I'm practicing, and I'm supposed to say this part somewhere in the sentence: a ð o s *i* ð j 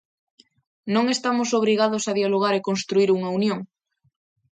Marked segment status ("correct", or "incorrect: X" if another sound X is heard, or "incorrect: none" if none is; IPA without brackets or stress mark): incorrect: a